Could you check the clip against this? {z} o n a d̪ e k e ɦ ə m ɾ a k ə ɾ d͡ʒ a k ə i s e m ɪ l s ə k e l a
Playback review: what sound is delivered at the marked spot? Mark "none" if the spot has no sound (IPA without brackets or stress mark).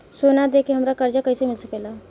s